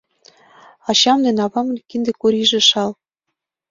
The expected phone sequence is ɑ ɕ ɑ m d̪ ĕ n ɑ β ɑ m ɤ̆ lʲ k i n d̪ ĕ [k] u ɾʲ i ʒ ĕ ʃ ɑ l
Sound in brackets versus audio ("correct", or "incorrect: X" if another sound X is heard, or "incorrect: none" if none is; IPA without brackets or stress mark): correct